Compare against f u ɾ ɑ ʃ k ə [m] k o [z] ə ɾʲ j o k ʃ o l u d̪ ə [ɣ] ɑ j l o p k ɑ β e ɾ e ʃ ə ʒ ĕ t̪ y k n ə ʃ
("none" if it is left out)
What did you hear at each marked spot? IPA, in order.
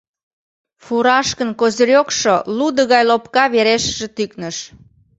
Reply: n, z, ɣ

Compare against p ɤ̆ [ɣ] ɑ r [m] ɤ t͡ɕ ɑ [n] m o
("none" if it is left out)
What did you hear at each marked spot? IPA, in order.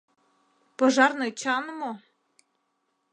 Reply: ʒ, n, n

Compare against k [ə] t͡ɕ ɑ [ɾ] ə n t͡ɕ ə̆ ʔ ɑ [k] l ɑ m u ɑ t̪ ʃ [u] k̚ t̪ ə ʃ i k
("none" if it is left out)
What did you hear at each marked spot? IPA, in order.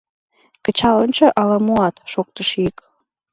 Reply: ə, l, none, o

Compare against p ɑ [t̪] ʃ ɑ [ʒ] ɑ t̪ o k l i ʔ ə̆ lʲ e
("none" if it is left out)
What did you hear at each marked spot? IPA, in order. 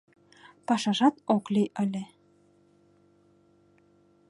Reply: none, ʒ

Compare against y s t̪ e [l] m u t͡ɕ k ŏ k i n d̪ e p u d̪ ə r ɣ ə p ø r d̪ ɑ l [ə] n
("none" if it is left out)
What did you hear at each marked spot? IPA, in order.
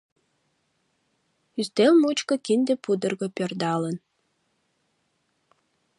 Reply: l, ə

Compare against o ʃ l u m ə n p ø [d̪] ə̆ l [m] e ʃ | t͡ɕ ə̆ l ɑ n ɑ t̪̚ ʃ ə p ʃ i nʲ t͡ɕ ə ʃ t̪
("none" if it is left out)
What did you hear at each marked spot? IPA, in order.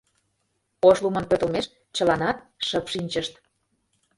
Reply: t̪, m

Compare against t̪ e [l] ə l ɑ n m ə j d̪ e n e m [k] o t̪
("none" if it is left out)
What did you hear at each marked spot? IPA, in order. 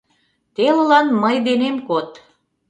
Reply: l, k

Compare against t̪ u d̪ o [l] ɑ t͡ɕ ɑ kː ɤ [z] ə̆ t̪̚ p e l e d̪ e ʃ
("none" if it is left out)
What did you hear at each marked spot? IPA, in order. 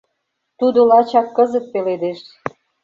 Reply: l, z

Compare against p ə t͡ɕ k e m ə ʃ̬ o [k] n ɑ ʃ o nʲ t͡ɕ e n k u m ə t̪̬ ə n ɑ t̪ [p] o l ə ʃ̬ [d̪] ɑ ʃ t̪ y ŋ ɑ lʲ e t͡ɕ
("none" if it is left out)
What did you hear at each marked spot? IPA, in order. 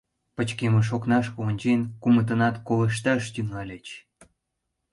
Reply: k, k, t̪

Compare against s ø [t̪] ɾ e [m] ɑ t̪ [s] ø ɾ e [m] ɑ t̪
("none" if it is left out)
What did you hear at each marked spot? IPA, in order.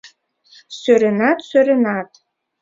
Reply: none, n, s, n

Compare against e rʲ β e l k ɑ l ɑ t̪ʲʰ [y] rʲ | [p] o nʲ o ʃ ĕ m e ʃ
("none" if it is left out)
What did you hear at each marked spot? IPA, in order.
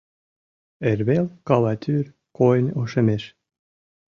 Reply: y, k

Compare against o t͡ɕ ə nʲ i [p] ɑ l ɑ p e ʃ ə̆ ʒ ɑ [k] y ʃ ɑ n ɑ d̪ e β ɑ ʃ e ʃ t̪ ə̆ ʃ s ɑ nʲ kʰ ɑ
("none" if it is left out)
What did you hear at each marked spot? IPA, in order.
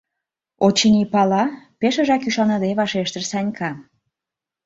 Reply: p, k

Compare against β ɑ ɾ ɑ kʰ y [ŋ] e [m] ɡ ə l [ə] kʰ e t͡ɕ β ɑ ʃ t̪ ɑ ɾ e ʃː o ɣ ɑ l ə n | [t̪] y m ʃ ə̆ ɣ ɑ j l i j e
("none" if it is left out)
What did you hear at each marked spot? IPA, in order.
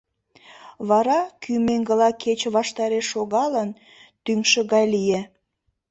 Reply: m, ŋ, ɑ, t̪

